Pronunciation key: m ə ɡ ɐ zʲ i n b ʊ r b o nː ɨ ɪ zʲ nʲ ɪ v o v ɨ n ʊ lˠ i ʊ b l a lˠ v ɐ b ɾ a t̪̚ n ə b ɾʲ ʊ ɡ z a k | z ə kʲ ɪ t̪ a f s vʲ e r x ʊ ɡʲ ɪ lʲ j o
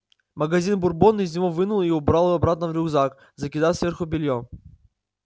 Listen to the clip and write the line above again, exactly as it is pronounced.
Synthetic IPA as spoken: m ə ɡ ɐ zʲ i n b ʊ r b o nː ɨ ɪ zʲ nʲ ɪ v o v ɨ n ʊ lˠ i ʊ b ɾ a lˠ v ɐ b ɾ a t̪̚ n ə v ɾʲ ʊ ɡ z a k | z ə kʲ ɪ d̪ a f s vʲ e r x ʊ bʲ ɪ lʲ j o